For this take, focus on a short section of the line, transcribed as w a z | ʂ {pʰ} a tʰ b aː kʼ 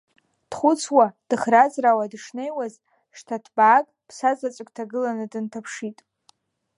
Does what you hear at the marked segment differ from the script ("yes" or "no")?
yes